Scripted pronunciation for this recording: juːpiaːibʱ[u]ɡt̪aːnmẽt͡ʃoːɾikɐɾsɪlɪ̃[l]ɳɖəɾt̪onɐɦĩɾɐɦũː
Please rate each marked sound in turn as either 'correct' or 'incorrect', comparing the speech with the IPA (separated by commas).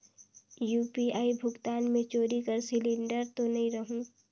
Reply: incorrect, incorrect